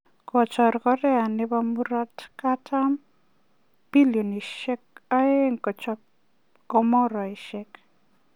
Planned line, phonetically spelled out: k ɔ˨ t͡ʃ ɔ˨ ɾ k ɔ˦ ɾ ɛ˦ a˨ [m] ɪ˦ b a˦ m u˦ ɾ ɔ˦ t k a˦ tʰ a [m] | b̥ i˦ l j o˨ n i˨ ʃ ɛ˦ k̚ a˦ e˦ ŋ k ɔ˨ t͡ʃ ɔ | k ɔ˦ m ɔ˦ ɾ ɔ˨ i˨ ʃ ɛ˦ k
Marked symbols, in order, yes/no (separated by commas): no, yes